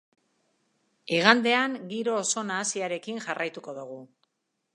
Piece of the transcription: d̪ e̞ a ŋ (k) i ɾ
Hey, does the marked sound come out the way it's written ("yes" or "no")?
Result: no